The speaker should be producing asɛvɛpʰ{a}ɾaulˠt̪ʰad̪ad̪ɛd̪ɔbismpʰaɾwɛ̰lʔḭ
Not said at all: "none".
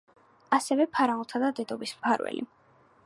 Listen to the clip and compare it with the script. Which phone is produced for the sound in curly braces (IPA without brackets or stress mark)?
a